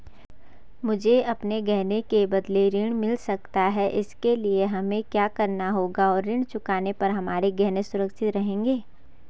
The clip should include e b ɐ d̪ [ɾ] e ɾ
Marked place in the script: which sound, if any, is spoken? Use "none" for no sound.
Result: l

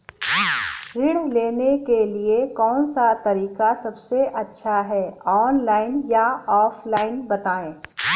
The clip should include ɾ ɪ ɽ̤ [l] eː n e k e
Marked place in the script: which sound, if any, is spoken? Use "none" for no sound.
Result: l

